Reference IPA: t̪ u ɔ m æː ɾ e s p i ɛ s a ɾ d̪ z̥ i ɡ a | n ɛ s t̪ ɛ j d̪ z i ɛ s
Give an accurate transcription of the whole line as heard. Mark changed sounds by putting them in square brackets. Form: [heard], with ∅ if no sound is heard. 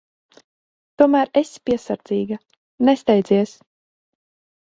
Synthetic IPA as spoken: t̪ u ɔ m æː ɾ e s p i ɛ s a ɾ d̪ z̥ [iː] ɡ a | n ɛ s t̪ ɛ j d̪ z i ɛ s